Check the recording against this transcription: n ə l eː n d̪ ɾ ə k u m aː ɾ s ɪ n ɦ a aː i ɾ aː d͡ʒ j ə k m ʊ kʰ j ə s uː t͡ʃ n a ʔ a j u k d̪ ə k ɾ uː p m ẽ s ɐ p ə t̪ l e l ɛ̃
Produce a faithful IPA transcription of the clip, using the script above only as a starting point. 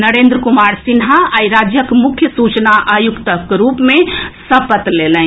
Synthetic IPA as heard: n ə ɾ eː n d̪ ɾ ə k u m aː ɾ s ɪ n ɦ a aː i ɾ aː d͡ʒ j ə k m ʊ kʰ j ə s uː t͡ʃ n a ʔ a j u k t̪ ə k ɾ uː p m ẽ s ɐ p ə t̪ l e l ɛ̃